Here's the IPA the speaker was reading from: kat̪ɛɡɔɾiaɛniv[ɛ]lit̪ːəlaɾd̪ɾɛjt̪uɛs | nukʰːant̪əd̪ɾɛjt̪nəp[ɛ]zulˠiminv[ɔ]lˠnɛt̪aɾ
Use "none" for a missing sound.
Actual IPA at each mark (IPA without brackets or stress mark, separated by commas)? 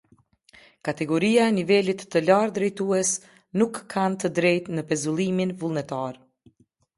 ɛ, ɛ, u